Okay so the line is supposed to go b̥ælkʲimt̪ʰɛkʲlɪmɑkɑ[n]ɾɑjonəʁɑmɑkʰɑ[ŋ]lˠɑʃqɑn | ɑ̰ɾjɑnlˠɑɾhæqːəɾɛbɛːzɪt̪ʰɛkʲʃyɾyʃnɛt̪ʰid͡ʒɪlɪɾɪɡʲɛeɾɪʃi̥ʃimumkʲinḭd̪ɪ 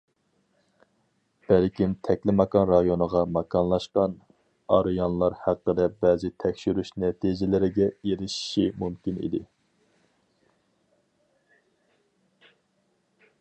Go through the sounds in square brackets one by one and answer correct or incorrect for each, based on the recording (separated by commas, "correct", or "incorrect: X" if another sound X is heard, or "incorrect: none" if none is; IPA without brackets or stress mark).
correct, incorrect: n